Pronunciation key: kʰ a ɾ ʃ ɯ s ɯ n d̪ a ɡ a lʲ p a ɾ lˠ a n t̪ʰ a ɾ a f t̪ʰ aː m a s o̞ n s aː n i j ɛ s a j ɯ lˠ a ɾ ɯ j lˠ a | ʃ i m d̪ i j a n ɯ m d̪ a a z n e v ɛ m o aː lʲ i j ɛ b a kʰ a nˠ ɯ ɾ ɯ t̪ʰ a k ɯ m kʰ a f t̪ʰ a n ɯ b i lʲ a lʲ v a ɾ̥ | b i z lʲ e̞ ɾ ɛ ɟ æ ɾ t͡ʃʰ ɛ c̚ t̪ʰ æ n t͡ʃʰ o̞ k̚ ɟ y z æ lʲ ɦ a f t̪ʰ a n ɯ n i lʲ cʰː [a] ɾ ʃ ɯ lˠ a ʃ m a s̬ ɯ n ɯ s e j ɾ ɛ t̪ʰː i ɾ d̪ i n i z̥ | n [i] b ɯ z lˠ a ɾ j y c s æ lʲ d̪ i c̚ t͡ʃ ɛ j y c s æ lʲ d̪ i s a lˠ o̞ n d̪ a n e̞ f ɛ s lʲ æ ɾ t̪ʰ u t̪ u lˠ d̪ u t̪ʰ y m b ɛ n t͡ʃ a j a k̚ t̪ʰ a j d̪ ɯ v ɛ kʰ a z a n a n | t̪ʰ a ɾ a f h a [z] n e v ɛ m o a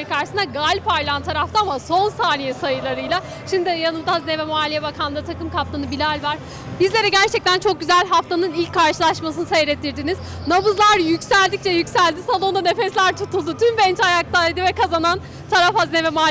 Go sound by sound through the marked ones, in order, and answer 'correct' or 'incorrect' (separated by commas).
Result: correct, incorrect, correct